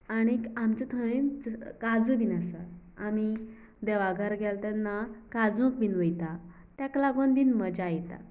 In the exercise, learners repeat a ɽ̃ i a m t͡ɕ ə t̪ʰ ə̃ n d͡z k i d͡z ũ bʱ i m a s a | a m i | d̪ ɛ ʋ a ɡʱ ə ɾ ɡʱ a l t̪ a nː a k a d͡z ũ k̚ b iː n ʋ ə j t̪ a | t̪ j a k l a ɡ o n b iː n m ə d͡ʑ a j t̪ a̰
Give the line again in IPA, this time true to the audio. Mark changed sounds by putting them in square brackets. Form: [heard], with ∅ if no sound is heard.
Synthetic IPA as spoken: a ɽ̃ i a m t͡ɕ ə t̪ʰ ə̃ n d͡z k [a] d͡z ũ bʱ i [n] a s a | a m i | d̪ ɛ ʋ a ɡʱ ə ɾ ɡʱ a l t̪ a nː a k a d͡z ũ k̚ b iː n ʋ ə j t̪ a | t̪ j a k l a ɡ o n b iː n m ə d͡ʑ a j t̪ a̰

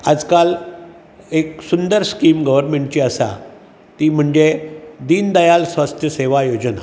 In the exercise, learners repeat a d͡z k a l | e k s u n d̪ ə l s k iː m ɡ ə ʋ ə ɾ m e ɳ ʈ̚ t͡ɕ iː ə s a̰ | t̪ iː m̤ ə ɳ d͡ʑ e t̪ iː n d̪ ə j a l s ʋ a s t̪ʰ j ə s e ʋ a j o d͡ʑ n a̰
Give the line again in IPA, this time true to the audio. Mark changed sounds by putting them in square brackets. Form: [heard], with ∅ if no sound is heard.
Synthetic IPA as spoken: a d͡z k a l | e k s u n d̪ ə [ɾ] s k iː m ɡ ə ʋ ə ɾ m e ɳ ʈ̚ t͡ɕ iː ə s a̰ | t̪ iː m̤ ə ɳ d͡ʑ e [d̪] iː n d̪ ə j a l s ʋ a s t̪ʰ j ə s e ʋ a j o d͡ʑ n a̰

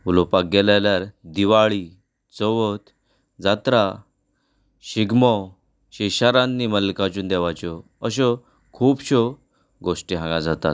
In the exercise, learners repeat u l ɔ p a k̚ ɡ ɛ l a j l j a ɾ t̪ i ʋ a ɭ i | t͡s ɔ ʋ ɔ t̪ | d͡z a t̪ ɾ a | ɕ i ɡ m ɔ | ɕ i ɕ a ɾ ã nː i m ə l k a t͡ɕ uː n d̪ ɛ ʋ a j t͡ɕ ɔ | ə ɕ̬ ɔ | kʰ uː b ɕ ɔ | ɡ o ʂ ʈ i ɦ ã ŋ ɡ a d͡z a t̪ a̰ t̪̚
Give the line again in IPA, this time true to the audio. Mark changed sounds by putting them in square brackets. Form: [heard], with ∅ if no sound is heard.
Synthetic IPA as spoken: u l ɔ p a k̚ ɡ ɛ l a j l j a ɾ [d̪] i ʋ a ɭ i | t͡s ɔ ʋ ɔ t̪ | d͡z a t̪ ɾ a | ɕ i ɡ m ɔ | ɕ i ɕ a ɾ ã nː i m ə l k a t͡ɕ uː n d̪ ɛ ʋ a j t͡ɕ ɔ | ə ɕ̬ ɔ | kʰ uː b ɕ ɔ | ɡ o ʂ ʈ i ɦ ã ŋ ɡ a d͡z a t̪ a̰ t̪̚

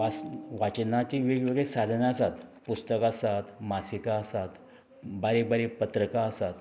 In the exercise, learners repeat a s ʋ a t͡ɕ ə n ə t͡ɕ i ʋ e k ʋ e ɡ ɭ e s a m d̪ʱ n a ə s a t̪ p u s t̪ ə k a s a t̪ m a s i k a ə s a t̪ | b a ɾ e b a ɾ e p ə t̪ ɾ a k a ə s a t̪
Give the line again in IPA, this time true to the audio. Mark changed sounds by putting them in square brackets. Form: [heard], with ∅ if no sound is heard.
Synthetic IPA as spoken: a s ʋ a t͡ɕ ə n [a] t͡ɕ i ʋ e [ɡ] ʋ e ɡ ɭ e s a [∅] d̪ʱ n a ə s a t̪ p u s t̪ ə k a s a t̪ m a s i k a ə s a t̪ | b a ɾ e b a ɾ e p ə t̪ ɾ [ə] k a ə s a t̪

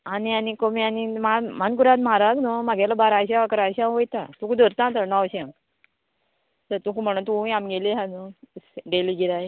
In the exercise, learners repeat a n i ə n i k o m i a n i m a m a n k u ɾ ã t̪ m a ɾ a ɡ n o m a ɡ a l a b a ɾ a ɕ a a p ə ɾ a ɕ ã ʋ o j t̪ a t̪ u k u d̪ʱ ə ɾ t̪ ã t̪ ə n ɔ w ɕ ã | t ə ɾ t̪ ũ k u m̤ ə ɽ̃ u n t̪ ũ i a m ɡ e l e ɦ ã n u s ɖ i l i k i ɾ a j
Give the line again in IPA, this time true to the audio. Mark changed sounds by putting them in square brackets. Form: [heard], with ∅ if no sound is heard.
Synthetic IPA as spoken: a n i [a] n i k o m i a n i m a m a n k u ɾ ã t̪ m a ɾ a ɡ n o m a ɡ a l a b a ɾ a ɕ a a [k] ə ɾ a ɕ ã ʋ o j t̪ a t̪ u k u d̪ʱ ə ɾ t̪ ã t̪ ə n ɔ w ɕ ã | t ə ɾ t̪ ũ k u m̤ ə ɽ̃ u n t̪ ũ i a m ɡ e l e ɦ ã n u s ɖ [e] l i [ɡ] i ɾ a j

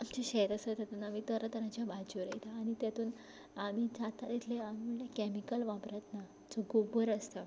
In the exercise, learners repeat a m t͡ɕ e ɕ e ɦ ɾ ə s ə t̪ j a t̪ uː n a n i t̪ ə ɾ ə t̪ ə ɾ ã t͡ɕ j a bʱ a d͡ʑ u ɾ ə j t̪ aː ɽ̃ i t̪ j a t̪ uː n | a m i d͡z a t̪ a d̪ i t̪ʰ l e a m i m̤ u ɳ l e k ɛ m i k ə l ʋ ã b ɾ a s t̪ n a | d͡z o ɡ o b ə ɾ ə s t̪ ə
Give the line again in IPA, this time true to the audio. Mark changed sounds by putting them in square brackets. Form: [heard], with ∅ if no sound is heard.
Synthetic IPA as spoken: a m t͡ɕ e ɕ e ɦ ɾ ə s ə t̪ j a t̪ uː n a [m] i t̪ ə ɾ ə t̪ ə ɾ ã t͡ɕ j a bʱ a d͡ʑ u ɾ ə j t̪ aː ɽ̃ i t̪ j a t̪ uː n | a m i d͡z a t̪ a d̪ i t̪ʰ l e a m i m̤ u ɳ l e k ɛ m i k ə l ʋ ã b ɾ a [∅] t̪ n a | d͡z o ɡ o b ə ɾ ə s t̪ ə

